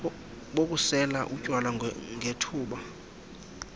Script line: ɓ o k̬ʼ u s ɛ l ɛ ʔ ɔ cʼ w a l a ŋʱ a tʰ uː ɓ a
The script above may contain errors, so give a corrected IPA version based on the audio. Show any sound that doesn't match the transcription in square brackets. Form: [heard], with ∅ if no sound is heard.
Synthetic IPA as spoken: ɓ o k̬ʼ u s ɛ l [a] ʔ [u] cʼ w a l a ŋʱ [e] tʰ uː ɓ a